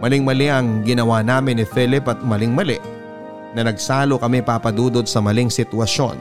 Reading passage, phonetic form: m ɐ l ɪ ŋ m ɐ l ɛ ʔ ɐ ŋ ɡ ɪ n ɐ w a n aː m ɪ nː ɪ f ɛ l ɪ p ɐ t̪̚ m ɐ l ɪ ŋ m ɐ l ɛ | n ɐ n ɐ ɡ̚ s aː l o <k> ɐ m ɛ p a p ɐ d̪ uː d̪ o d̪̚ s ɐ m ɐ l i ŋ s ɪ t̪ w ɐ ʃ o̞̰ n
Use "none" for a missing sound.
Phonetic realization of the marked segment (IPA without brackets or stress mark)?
k